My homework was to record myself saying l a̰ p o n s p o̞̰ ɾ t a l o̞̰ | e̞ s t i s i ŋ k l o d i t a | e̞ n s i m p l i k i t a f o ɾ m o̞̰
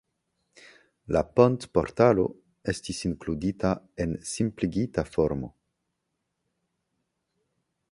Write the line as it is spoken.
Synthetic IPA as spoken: l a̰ p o n t p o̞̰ ɾ t a l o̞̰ | e̞ s t i s i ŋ k l u d i t a | e̞ n s i m p l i ɡ i t a f o ɾ m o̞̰

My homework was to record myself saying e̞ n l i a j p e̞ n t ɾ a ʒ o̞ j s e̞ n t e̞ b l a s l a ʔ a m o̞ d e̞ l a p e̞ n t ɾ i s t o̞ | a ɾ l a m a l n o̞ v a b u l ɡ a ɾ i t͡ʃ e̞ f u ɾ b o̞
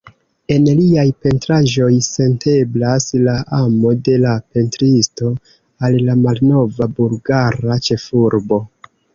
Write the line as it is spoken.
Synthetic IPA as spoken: e̞ n l i a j p e̞ n t ɾ a ʒ o̞ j s e̞ n t e̞ b l a s l a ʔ a m o̞ d e̞ l a p e̞ n t ɾ i s t o̞ | a l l a m a l n o̞ v a b u l ɡ a ɾ a t͡ʃ e̞ f u ɾ b o̞

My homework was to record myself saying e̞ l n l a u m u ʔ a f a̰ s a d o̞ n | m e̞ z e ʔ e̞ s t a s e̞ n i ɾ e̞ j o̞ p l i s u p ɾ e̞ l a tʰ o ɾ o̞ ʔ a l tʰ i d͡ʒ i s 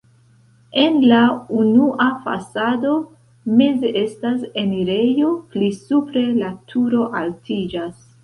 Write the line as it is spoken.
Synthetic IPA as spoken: e̞ n l a u n u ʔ a f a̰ s a d o̞ | m e̞ z e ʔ e̞ s t a s e̞ n i ɾ e̞ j o̞ p l i s u p ɾ e̞ l a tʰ u ɾ o̞ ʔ a l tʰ i d͡ʒ a s

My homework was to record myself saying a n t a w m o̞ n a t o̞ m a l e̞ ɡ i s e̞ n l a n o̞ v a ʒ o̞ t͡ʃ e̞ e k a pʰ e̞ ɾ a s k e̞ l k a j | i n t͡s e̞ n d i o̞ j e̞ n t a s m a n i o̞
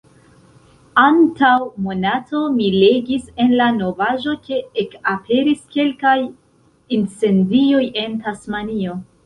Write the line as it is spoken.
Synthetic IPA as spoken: a n t a w m o̞ n a t o̞ m i l e̞ ɡ i s e̞ n l a n o̞ v a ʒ o̞ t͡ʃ e̞ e k a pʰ e̞ ɾ i s k e̞ l k a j | i n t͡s e̞ n d i o̞ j e̞ n t a s m a n i o̞

